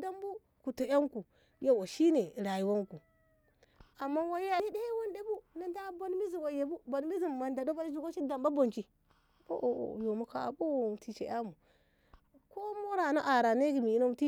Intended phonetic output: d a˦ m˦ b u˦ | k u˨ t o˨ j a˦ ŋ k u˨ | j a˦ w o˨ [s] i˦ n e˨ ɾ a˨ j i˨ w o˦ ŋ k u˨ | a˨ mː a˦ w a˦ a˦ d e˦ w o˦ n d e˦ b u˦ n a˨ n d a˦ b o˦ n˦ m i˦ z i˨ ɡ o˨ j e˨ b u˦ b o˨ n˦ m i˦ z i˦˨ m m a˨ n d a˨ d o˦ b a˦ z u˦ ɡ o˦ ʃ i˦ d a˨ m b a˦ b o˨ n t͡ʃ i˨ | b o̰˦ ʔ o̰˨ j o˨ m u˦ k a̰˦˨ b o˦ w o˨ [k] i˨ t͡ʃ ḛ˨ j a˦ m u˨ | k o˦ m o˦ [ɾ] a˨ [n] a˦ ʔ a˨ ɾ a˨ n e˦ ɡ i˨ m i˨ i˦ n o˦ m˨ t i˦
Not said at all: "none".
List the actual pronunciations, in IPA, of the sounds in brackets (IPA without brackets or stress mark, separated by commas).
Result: ʃ, t, ɾ, n